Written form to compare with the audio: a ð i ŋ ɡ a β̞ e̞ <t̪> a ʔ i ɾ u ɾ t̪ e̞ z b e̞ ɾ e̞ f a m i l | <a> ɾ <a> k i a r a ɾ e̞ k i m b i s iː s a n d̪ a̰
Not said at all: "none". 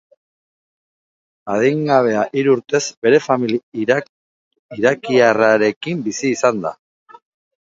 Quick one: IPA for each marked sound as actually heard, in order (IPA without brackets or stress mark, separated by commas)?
none, i, a